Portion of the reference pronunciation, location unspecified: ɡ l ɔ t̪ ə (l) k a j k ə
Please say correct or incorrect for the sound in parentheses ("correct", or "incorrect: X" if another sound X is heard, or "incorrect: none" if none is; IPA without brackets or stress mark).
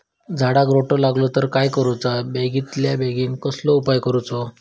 incorrect: ɾ